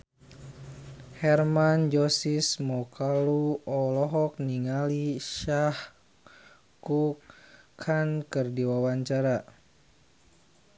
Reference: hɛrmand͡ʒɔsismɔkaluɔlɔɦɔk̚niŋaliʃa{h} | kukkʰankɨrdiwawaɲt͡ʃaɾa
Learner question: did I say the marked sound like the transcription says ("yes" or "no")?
yes